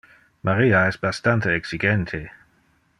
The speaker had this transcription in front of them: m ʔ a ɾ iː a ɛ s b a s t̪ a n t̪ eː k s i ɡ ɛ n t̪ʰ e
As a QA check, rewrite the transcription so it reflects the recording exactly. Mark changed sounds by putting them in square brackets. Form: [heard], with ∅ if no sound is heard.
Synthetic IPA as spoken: m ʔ a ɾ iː a ɛ s b a s t̪ a n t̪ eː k s i ɡ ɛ n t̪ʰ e